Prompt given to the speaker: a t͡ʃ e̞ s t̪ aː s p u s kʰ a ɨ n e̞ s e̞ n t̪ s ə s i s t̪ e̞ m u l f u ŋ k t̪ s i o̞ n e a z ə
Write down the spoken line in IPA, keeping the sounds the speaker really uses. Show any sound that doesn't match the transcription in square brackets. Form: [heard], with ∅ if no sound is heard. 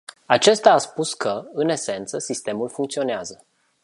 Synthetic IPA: a t͡ʃ e̞ s t̪ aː s p u s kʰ [ə] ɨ n e̞ s e̞ n t̪ s ə s i s t̪ e̞ m u l f u ŋ k t̪ s i o̞ n e a z ə